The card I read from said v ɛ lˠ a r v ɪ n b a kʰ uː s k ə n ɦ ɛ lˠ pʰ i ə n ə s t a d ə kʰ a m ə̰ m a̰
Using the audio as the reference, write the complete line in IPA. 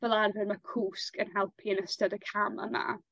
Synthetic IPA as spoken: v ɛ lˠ a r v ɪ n m a kʰ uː s k ə n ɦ ɛ lˠ pʰ i ə n ə s t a d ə kʰ a m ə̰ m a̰